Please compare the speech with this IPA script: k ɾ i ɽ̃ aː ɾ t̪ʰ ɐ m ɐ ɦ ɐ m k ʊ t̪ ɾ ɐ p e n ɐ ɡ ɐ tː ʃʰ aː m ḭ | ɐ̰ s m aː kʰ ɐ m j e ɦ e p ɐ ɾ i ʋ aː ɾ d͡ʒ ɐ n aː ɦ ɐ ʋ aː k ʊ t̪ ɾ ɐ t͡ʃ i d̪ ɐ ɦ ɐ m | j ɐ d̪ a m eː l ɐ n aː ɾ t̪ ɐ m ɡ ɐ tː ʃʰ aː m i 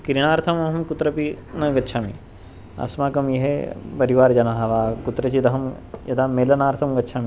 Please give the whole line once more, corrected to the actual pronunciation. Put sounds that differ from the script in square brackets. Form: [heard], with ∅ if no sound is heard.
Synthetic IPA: k ɾ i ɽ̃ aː ɾ t̪ʰ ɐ m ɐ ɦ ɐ m k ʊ t̪ ɾ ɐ p [i] n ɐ ɡ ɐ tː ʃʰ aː m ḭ | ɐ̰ s m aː [k] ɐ m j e ɦ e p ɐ ɾ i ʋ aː ɾ d͡ʒ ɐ n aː ɦ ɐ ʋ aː k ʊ t̪ ɾ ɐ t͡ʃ i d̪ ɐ ɦ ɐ m | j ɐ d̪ a m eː l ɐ n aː ɾ [t̪ʰ] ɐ m ɡ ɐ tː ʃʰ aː m i

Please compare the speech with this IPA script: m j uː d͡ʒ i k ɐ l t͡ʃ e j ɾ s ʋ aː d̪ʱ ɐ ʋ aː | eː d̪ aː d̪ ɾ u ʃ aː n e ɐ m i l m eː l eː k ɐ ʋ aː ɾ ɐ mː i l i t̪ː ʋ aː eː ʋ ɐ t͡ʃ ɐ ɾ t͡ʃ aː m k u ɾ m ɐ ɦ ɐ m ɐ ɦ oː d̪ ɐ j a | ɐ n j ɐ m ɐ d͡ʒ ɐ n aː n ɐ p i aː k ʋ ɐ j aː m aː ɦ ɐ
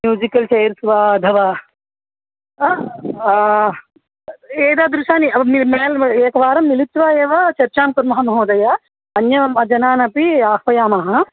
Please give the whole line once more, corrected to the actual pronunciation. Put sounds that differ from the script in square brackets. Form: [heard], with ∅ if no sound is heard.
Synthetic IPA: m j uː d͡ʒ i k ɐ l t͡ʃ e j ɾ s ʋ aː d̪ʱ ɐ ʋ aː | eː d̪ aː d̪ ɾ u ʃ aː n [i] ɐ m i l m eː l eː k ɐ ʋ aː ɾ ɐ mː i l i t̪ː ʋ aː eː ʋ ɐ t͡ʃ ɐ ɾ t͡ʃ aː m k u ɾ m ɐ ɦ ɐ m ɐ ɦ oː d̪ ɐ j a | ɐ n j ɐ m ɐ d͡ʒ ɐ n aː n ɐ p i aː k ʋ ɐ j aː m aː ɦ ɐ

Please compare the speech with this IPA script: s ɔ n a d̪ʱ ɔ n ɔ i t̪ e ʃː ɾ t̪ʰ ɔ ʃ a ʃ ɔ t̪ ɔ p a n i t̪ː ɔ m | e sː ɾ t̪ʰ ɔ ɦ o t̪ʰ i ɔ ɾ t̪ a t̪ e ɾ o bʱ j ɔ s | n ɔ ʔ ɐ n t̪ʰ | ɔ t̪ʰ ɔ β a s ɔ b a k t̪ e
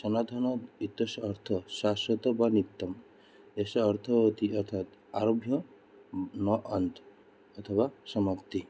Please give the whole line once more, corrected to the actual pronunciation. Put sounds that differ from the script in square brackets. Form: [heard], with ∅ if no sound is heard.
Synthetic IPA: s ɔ n a d̪ʱ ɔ n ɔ i t̪ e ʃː ɾ t̪ʰ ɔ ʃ a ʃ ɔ t̪ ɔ [b] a n i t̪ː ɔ m | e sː ɾ t̪ʰ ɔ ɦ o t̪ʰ i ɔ ɾ [t̪ʰ] a t̪ [a] ɾ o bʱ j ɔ [∅] | n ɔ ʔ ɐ n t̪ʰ | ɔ t̪ʰ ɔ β a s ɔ [m] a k t̪ [i]

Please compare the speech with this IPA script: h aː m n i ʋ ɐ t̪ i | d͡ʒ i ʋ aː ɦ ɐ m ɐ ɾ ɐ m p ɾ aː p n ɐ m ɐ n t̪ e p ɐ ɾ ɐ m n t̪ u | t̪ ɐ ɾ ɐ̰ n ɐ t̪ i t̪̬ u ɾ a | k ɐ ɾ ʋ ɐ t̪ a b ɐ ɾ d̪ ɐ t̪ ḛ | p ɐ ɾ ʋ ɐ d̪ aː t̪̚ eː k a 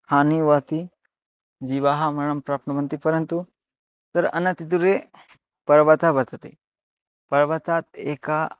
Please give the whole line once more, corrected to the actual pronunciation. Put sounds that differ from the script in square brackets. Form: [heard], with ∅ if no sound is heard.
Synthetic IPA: h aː [∅] n i ʋ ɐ t̪ i | d͡ʒ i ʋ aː ɦ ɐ m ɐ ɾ ɐ m p ɾ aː p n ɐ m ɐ n t̪ [i] p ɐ ɾ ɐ [∅] n t̪ u | t̪ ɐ ɾ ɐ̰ n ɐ t̪ i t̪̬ u ɾ [e] | [p] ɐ ɾ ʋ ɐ t̪ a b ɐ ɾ [t̪] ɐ t̪ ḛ | p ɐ ɾ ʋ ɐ [t̪] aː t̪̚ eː k a

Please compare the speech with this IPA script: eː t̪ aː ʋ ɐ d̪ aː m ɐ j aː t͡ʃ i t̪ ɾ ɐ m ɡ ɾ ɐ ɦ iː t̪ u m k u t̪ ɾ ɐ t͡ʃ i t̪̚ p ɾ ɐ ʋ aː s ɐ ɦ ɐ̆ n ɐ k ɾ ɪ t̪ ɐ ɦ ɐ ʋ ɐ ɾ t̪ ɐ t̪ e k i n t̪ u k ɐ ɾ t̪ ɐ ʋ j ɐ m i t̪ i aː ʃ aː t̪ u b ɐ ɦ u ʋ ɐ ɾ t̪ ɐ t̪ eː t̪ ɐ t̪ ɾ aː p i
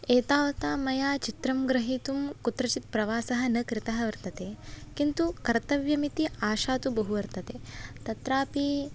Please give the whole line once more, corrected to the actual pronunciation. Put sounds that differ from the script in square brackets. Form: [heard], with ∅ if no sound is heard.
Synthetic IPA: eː t̪ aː ʋ ɐ [t̪] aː m ɐ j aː t͡ʃ i t̪ ɾ ɐ m ɡ ɾ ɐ ɦ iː t̪ u m k u t̪ ɾ ɐ t͡ʃ i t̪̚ p ɾ ɐ ʋ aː s ɐ ɦ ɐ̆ n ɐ k ɾ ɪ t̪ ɐ ɦ ɐ ʋ ɐ ɾ t̪ ɐ t̪ e k i n t̪ u k ɐ ɾ t̪ ɐ ʋ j ɐ m i t̪ i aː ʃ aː t̪ u b ɐ ɦ u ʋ ɐ ɾ t̪ ɐ t̪ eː t̪ ɐ t̪ ɾ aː p i

